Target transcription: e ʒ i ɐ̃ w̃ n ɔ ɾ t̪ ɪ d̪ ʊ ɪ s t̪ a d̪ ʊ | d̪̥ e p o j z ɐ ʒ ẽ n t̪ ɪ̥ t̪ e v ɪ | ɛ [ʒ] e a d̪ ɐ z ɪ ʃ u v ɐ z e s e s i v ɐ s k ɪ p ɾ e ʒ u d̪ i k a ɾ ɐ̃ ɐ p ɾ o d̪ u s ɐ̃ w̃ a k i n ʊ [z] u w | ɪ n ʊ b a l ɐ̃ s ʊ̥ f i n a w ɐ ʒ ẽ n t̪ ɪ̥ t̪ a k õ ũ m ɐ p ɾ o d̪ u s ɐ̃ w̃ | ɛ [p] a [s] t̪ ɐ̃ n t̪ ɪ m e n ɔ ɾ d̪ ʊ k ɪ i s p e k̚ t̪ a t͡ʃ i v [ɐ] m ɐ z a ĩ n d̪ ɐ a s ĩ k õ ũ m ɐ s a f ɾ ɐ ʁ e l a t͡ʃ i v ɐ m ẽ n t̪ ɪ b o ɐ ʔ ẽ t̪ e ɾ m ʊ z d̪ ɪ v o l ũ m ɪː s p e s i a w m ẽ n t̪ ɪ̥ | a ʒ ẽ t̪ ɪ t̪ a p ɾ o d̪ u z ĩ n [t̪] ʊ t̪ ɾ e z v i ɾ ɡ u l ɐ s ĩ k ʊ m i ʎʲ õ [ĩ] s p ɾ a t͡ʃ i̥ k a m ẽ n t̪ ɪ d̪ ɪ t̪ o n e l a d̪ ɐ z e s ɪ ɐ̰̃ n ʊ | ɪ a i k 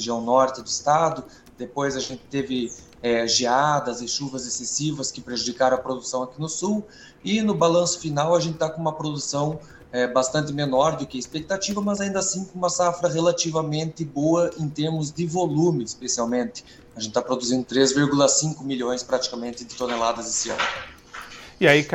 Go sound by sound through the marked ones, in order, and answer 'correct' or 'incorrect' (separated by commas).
correct, incorrect, incorrect, correct, correct, incorrect, incorrect